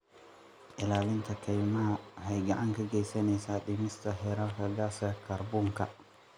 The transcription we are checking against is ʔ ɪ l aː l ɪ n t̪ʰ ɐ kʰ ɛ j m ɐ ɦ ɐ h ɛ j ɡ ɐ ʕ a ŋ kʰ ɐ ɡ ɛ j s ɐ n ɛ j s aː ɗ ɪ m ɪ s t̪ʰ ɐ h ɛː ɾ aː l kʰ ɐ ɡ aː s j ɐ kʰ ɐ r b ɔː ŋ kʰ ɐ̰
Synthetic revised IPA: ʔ ɪ l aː l ɪ n t̪ʰ ɐ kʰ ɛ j m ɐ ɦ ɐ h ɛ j ɡ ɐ ʕ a ŋ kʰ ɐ ɡ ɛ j s ɐ n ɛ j s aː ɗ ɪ m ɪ s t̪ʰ ɐ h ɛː ɾ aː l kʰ ɐ ɡ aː s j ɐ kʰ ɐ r b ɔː ŋ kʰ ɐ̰

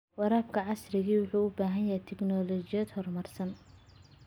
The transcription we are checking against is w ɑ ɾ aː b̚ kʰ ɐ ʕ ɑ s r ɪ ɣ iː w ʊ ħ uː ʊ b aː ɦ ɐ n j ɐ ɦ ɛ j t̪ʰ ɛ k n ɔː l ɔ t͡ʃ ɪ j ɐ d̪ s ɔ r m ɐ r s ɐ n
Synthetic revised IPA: w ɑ ɾ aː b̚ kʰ ɐ ʕ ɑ s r ɪ ɣ iː w ʊ ħ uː ʊ b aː ɦ ɐ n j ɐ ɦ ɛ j t̪ʰ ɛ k n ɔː l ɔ t͡ʃ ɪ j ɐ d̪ h ɔ r m ɐ r s ɐ n

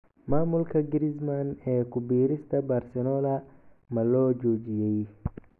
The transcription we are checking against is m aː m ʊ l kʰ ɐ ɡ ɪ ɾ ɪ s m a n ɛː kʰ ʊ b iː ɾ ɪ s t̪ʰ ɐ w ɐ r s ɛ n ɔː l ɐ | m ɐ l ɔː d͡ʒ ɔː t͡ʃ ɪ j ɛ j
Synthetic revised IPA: m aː m ʊ l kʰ ɐ ɡ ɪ ɾ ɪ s m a n ɛː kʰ ʊ b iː ɾ ɪ s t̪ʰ ɐ b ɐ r s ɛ n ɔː l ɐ | m ɐ l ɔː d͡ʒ ɔː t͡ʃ ɪ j ɛ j

